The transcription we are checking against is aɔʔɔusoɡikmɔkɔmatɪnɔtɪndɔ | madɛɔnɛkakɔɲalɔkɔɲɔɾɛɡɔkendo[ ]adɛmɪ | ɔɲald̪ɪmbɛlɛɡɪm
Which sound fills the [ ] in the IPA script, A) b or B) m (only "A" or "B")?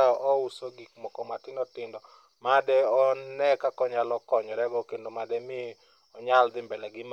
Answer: B